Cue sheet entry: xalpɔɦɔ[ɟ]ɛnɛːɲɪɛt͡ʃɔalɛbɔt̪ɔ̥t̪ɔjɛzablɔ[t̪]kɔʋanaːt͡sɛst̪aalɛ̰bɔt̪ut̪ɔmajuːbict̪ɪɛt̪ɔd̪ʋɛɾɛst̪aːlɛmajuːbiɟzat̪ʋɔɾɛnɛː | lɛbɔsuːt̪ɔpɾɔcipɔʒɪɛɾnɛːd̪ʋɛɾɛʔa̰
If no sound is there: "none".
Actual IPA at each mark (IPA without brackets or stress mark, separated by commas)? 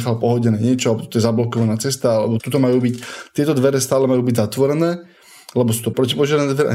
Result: ɟ, none